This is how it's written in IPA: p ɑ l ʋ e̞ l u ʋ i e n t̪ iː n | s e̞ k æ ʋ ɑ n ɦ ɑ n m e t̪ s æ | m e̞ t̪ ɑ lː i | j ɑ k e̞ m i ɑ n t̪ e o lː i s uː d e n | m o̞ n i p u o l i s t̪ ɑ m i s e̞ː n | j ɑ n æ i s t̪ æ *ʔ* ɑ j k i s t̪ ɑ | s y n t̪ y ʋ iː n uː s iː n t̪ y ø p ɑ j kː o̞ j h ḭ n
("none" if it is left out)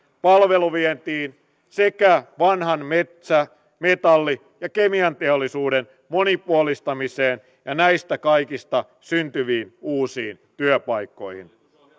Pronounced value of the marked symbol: k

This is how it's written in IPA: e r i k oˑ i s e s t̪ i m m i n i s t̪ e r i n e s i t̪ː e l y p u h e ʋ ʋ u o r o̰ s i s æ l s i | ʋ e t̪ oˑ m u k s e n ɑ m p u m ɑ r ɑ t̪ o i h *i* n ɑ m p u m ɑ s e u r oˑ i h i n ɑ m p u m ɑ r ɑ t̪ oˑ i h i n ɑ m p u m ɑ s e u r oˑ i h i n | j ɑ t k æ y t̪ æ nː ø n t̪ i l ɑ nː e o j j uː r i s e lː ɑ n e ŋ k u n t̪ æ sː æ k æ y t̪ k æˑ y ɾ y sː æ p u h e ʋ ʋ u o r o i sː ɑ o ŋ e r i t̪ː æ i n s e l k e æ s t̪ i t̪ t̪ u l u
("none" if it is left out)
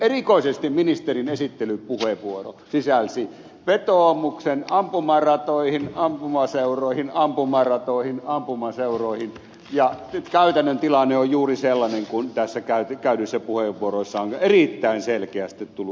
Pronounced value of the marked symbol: i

